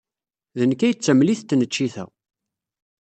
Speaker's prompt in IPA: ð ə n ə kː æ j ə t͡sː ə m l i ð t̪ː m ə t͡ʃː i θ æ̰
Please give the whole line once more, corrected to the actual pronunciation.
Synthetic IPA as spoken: ð ə n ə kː æ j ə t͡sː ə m l i θ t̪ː n ə t͡ʃː i θ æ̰